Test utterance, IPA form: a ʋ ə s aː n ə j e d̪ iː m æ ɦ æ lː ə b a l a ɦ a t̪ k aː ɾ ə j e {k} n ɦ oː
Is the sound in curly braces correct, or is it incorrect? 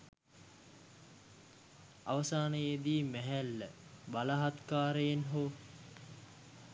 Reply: incorrect